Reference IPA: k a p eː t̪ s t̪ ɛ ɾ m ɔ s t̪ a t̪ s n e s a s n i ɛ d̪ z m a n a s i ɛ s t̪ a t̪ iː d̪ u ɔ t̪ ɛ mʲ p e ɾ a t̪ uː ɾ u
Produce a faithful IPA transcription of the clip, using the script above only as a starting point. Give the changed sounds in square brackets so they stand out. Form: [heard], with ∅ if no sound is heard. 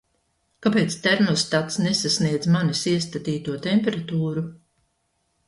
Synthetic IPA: k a p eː t̪ s t̪ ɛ ɾ m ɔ s t̪ a t̪ s n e s a s n i ɛ d̪ z m a n [i] s i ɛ s t̪ a t̪ iː [t̪] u ɔ t̪ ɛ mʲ p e ɾ a t̪ uː ɾ u